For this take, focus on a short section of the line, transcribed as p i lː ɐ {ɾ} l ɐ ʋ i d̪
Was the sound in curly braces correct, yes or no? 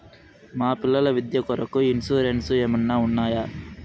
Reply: no